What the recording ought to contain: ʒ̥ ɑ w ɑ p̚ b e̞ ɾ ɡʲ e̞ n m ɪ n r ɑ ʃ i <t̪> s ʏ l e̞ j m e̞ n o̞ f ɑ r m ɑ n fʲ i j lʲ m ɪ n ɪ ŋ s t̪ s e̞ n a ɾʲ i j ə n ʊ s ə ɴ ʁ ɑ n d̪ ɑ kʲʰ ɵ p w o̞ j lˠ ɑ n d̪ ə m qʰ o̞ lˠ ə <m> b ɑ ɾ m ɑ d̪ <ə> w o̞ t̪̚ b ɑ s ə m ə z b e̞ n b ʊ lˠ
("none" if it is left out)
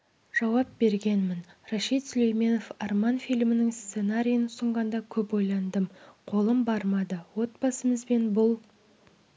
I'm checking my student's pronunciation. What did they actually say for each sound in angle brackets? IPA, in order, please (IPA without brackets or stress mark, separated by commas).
t̪, m, ə